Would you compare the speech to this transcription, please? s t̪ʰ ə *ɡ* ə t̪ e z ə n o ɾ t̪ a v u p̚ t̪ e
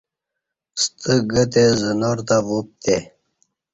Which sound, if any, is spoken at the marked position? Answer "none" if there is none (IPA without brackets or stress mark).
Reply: ɡ